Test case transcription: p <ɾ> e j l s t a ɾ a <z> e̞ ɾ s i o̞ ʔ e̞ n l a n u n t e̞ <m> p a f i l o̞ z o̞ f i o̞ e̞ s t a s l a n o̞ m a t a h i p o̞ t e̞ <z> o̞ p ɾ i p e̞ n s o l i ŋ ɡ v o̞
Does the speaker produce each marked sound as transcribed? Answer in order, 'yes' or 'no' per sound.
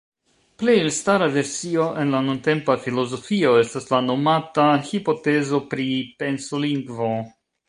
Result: no, no, yes, yes

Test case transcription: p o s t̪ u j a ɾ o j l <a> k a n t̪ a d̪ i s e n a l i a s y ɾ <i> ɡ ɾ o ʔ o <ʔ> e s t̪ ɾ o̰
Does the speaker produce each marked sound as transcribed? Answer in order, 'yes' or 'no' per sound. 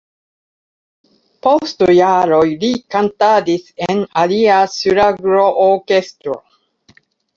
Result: no, no, no

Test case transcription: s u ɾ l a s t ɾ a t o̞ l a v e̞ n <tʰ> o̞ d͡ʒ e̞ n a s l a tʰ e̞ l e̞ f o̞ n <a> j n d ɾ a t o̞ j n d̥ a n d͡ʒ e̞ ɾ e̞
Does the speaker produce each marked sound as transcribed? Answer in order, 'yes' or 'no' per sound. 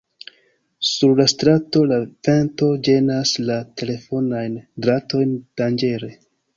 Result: no, yes

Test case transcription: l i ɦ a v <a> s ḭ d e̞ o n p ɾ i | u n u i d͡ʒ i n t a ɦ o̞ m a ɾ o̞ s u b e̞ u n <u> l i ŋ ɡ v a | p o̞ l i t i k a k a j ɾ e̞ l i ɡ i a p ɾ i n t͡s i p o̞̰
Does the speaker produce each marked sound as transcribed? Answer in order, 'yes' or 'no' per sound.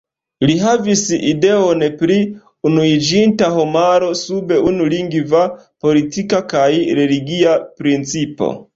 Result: no, yes

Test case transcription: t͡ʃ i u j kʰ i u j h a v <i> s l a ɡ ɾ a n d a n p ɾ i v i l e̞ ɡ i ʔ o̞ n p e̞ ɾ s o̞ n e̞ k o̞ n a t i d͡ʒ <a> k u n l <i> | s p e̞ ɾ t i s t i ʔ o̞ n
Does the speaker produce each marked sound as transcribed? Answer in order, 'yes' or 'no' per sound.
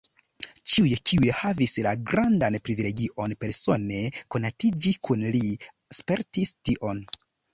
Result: yes, no, yes

